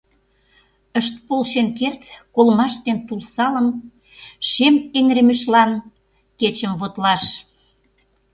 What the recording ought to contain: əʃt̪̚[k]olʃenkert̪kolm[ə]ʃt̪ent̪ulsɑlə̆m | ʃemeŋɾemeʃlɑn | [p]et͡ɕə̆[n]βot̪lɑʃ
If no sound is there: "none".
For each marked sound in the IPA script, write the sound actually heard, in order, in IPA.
p, ɑ, k, m

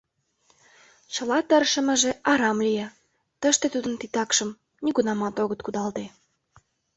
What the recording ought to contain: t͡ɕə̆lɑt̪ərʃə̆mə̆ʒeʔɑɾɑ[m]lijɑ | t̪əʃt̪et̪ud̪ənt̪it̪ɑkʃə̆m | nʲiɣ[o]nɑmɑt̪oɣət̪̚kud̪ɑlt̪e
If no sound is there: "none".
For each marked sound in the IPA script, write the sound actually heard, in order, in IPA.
m, u

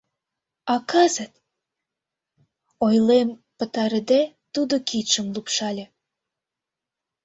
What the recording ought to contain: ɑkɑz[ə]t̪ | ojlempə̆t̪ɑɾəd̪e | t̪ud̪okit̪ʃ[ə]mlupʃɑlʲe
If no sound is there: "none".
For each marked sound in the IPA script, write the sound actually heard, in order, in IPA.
ə, ə

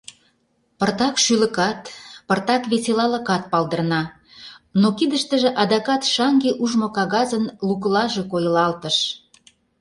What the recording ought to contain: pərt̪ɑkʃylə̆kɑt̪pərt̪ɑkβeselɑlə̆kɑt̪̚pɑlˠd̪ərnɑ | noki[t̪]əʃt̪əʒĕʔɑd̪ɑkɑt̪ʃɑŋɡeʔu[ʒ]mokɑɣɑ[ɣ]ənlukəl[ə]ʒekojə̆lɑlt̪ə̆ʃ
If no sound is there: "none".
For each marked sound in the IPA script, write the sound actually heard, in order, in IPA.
d̪, ʒ, z, ɑ

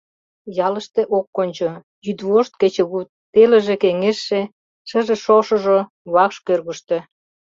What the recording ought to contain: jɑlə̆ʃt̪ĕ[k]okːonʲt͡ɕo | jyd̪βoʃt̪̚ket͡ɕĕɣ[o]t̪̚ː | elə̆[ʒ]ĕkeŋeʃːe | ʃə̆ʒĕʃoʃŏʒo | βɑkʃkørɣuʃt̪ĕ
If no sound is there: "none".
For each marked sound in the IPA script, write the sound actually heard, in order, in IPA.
ʔ, u, ʒ

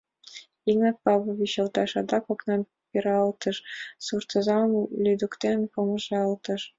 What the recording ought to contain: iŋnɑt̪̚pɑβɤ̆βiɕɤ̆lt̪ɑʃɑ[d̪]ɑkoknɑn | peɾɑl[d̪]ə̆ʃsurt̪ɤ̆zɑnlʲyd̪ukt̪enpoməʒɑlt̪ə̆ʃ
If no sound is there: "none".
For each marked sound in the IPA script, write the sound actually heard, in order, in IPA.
d̪, t̪

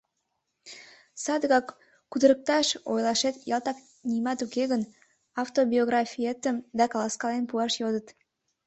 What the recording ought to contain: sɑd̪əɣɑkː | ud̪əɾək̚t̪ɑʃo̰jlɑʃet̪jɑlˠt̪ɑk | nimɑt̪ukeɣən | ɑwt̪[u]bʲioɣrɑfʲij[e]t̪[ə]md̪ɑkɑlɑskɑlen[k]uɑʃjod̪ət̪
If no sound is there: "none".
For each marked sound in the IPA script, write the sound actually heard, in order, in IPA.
o, e, ə, p

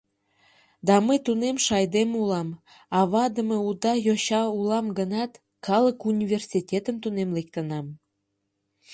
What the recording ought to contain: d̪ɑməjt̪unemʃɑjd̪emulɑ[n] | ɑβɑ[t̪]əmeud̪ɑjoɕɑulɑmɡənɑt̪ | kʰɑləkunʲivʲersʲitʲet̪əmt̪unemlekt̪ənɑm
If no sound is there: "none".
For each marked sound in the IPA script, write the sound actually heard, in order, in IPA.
m, d̪

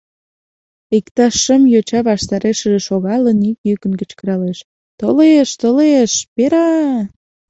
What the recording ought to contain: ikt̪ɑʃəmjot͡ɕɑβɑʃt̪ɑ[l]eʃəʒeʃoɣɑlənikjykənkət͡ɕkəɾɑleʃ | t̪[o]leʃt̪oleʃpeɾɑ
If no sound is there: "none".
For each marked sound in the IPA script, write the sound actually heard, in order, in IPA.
ɾ, o

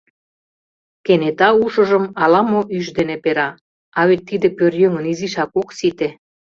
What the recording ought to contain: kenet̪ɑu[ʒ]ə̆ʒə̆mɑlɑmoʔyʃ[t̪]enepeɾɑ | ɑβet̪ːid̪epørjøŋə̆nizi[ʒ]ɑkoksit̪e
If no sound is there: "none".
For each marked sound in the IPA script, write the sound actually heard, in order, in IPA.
ʃ, d̪, ʃ

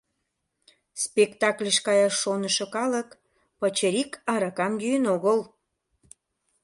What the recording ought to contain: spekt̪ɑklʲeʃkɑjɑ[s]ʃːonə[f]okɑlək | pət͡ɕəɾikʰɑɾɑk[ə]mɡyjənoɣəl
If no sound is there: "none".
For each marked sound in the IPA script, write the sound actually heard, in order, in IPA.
none, ʃ, ɑ

